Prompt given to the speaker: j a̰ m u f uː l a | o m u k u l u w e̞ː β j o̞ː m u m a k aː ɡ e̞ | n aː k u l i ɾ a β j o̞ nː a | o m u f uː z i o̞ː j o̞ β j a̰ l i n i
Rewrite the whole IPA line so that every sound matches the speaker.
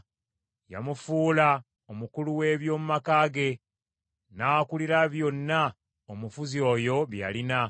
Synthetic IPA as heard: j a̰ m u f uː l a | o m u k u l u w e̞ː β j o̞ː m u m a k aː ɡ e̞ | n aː k u l i ɾ a β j o̞ nː a | o m u f u z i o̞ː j o̞ β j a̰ l i n a